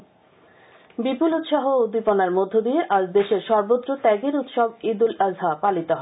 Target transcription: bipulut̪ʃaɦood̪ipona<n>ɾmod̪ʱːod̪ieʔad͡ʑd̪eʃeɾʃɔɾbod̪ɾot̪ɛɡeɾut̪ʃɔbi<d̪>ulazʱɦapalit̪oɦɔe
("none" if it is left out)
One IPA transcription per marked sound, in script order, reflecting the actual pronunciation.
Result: none, d̪

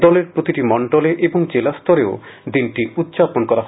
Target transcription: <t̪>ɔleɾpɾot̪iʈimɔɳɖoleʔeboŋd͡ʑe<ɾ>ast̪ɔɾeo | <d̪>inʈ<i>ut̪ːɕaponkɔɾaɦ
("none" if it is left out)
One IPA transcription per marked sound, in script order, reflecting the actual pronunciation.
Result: d̪, l, d̪, i

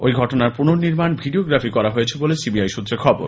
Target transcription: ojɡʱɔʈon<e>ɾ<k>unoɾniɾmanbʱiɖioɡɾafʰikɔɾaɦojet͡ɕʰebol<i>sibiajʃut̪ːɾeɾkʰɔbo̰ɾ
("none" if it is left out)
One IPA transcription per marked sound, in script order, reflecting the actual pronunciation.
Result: a, p, e

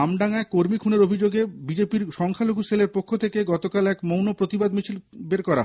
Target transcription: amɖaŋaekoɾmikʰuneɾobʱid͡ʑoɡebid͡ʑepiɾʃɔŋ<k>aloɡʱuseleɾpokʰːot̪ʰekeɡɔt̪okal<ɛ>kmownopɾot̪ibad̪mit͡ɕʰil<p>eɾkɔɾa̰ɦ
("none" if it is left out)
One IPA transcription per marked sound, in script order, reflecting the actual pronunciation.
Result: kʰ, ɛ, b

